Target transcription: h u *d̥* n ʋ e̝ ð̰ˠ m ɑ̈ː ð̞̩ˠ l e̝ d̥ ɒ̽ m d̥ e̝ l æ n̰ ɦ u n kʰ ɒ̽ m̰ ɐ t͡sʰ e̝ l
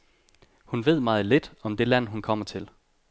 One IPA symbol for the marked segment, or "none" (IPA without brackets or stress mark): none